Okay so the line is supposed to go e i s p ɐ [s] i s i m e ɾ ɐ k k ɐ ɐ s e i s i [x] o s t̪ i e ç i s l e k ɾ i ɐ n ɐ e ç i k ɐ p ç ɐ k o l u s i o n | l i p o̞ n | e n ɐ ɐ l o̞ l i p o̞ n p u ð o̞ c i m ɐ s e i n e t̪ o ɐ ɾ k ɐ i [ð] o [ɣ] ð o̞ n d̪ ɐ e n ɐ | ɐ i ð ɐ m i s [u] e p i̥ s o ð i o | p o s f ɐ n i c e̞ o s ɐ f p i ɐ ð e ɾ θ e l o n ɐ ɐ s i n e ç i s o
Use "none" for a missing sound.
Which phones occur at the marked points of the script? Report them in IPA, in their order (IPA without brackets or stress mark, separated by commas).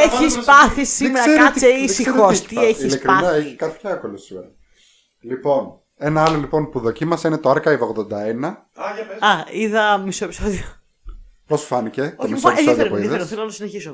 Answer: θ, x, v, ɣ, o